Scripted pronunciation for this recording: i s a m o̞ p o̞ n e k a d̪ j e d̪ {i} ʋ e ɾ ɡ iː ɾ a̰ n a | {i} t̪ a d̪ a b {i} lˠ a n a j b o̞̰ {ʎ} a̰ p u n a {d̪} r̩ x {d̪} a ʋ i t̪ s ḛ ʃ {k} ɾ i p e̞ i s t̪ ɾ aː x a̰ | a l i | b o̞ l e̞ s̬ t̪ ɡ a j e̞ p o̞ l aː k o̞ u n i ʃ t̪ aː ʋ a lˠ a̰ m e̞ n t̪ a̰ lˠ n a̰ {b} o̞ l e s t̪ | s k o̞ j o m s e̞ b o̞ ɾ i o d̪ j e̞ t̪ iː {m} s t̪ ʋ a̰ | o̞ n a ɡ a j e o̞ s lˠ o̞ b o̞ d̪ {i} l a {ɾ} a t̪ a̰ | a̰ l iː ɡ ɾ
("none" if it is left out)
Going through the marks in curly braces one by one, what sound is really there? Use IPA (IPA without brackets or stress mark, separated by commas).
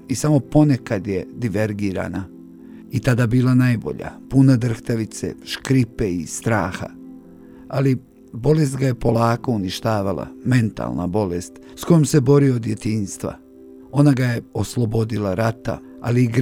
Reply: i, i, iː, ʎ, d̪, t̪, k, b, n, i, ɾ